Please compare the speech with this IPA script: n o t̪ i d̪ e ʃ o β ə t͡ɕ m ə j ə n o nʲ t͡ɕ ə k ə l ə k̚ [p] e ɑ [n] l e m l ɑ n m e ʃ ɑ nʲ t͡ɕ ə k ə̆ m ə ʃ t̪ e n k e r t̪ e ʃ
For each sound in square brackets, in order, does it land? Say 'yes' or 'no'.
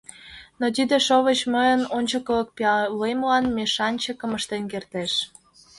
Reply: yes, no

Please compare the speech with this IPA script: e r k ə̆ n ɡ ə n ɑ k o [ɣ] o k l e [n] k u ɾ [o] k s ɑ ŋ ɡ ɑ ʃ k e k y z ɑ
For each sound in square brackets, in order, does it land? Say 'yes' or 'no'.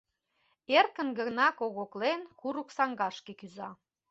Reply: yes, yes, no

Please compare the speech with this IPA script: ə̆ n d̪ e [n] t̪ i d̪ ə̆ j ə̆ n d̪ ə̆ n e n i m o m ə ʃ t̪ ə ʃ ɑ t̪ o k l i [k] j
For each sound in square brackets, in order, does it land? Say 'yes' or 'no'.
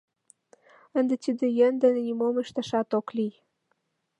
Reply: no, no

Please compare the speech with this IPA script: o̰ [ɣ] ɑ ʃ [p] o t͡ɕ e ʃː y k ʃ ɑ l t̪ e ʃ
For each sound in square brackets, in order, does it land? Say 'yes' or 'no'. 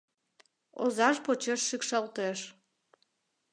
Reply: no, yes

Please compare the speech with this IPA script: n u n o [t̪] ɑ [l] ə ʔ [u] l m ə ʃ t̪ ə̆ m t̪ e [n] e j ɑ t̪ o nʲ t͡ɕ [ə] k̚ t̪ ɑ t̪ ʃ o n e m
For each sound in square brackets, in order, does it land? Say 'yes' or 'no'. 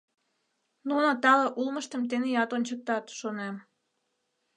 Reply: yes, yes, yes, yes, yes

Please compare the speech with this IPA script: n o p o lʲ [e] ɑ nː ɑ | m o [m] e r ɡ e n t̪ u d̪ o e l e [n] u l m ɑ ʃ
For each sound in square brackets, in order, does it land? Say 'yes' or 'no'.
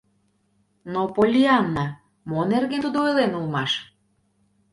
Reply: no, no, yes

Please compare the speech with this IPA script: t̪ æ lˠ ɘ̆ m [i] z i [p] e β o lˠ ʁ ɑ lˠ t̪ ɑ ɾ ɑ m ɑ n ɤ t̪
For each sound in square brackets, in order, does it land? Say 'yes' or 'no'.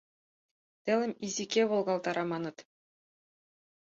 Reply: yes, no

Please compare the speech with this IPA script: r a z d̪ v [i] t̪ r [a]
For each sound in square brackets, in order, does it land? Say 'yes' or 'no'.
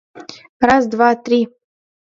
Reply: no, no

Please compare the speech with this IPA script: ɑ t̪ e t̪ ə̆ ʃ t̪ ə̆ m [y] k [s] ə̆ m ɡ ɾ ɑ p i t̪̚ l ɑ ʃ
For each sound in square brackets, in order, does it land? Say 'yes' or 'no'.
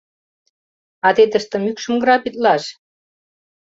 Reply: yes, no

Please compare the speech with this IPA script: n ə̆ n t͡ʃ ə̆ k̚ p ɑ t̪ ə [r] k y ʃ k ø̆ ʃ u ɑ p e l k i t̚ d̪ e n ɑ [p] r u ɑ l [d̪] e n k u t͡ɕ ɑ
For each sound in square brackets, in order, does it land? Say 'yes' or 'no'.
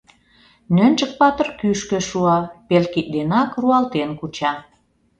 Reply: yes, no, no

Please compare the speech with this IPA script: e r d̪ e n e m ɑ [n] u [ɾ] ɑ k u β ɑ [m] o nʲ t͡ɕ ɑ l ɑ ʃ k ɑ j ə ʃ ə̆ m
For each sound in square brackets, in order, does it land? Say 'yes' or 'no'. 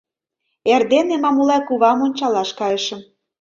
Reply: no, no, yes

